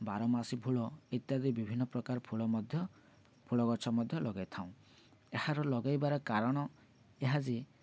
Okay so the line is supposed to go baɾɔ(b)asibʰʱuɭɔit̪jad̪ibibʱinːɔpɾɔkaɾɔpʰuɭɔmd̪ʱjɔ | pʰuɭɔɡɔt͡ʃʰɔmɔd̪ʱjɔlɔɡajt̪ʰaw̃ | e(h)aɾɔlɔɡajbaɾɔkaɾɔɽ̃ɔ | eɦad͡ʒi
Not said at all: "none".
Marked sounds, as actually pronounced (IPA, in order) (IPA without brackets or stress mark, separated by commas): m, h